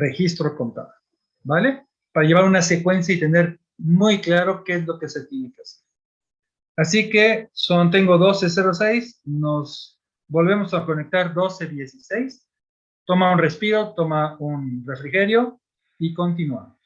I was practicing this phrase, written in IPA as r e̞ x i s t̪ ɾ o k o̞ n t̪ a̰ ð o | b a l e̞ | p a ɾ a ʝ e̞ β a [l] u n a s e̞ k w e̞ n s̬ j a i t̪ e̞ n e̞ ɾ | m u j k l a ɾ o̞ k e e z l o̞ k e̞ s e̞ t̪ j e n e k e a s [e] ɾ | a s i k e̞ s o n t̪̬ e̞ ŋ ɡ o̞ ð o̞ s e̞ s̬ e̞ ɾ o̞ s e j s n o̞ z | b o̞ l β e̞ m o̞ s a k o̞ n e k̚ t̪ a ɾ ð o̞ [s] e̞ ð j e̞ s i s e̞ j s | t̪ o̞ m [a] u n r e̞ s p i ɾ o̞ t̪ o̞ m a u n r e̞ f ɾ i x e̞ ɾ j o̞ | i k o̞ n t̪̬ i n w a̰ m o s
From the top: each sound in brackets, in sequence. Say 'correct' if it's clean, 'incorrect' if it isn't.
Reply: incorrect: ɾ, correct, correct, correct

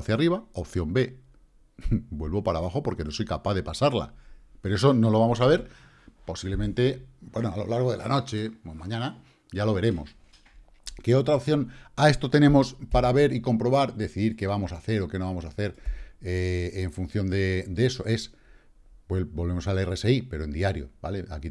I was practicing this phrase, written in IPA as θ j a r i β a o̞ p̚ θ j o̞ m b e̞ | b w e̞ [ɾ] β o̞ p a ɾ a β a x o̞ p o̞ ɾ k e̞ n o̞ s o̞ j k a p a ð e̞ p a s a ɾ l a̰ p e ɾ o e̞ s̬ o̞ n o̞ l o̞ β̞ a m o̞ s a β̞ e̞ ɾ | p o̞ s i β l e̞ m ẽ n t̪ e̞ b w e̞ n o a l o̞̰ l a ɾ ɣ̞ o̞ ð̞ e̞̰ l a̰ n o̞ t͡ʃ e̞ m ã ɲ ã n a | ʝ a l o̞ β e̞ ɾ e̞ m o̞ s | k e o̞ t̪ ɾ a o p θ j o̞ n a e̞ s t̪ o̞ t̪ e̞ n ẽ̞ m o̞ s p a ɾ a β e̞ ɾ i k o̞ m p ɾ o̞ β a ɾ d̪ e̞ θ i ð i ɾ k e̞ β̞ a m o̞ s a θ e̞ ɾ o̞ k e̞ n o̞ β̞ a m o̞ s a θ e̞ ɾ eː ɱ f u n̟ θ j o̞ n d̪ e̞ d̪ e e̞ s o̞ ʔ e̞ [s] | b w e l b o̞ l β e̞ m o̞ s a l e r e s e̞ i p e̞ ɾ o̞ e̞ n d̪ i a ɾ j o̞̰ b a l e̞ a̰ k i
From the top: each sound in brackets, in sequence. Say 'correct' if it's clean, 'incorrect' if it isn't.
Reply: incorrect: l, correct

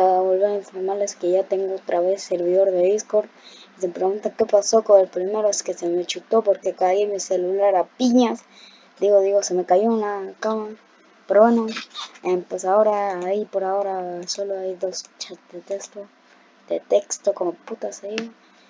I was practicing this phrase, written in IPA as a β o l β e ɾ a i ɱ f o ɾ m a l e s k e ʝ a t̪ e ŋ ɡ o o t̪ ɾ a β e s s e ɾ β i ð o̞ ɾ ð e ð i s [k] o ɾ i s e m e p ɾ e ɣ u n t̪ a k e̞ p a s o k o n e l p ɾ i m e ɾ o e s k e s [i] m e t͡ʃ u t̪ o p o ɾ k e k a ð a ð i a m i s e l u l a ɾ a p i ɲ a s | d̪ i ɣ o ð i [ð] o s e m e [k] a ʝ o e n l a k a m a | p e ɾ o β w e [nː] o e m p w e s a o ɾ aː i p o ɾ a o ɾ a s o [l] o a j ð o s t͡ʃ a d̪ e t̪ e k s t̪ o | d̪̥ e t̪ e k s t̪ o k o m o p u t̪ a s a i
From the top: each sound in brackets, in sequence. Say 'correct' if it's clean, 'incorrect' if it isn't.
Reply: correct, incorrect: e, incorrect: ɣ, correct, incorrect: n, correct

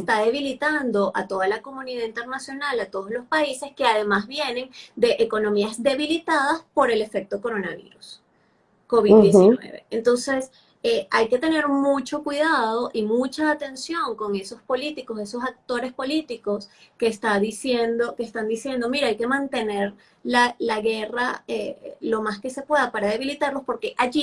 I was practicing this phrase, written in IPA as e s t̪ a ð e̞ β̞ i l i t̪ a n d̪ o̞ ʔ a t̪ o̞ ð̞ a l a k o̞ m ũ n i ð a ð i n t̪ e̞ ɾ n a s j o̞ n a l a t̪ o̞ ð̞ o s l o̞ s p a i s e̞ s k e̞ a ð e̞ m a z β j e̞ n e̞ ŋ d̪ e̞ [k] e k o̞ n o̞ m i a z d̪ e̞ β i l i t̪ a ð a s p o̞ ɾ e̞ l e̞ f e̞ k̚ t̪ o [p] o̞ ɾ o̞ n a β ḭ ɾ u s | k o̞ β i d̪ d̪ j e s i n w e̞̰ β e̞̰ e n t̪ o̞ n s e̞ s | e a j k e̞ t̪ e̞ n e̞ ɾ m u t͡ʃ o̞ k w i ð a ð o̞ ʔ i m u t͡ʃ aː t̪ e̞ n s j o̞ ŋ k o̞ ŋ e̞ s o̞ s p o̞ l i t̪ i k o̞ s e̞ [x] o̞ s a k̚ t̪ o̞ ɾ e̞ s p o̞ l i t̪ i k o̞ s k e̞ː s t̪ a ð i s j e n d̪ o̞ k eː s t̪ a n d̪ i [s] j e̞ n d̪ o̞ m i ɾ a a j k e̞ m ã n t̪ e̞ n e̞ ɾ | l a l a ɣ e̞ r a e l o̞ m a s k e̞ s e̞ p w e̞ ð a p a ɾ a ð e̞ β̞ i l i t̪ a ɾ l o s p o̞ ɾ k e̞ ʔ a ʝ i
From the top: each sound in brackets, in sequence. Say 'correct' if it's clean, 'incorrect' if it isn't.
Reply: incorrect: ʔ, incorrect: k, incorrect: s, correct

